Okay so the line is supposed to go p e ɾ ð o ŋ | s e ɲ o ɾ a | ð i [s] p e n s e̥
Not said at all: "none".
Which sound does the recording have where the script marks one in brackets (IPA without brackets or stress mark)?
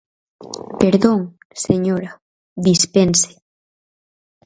s